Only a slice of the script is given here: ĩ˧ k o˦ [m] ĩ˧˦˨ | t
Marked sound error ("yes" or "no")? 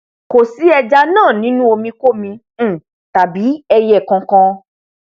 no